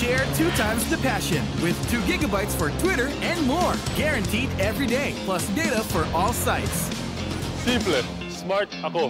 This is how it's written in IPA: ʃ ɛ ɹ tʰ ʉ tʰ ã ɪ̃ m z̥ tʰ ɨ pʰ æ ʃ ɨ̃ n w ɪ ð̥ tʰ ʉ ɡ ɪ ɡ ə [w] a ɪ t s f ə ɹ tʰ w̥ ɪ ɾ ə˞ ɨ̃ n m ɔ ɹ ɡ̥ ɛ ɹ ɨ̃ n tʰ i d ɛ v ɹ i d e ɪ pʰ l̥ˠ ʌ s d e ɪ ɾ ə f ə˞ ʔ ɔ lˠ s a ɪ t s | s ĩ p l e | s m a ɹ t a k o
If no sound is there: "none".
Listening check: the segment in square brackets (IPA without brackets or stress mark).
b